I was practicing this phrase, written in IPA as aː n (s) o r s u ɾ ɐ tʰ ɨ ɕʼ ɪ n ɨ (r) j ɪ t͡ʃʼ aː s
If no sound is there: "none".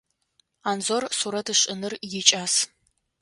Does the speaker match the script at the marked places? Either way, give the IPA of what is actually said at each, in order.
z, r

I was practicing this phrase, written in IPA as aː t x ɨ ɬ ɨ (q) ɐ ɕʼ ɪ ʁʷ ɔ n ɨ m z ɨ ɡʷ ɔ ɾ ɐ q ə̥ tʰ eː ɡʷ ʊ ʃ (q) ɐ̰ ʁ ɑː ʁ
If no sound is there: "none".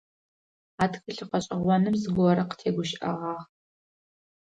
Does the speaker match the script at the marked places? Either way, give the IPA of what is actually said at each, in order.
q, ʔ

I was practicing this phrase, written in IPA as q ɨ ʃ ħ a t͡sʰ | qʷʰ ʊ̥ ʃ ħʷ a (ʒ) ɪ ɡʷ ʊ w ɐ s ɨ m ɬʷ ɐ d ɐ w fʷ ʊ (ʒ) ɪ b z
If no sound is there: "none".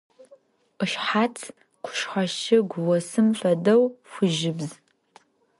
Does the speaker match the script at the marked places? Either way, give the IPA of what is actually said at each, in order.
ʃ, ʒ

